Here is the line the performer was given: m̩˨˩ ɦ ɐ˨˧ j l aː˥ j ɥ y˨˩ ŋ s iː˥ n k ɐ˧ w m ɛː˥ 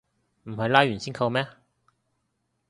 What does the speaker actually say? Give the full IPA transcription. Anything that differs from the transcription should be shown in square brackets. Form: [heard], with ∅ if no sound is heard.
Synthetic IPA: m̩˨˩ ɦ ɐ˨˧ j l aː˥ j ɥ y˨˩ [n] s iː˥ n [kʰ] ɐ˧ w m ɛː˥